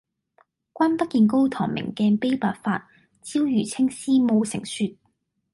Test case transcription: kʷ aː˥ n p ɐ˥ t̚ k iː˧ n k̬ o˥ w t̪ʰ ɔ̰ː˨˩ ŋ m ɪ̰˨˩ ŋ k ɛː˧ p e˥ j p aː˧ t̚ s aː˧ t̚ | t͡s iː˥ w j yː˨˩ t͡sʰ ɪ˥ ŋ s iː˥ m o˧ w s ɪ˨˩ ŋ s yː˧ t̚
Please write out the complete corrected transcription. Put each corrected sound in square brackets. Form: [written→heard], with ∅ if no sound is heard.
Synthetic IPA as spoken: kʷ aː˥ n p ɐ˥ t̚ k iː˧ n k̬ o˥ w t̪ʰ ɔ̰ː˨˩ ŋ m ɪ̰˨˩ ŋ k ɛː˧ p e˥ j p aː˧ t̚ [s→f] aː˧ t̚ | t͡s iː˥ w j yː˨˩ t͡sʰ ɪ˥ ŋ s iː˥ m o˧ w s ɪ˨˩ ŋ s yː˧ t̚